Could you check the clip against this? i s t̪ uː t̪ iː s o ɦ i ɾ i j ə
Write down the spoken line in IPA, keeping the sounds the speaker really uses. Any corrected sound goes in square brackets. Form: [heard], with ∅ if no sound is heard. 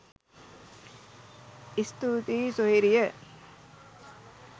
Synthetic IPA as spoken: i s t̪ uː t̪ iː s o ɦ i ɾ i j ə